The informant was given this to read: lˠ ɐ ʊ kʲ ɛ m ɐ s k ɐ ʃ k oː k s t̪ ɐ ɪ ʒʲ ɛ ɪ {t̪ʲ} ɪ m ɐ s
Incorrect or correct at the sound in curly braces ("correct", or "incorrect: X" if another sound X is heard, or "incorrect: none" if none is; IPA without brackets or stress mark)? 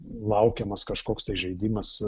incorrect: d̪ʲ